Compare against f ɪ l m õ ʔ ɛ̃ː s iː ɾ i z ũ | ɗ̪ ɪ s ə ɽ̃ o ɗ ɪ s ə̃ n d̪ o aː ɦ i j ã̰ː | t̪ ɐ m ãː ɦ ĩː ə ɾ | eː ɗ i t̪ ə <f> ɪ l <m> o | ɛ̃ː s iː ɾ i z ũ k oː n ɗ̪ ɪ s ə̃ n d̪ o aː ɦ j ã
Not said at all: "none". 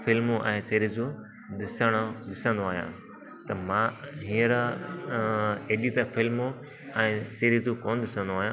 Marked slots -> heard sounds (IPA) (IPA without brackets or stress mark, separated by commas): f, m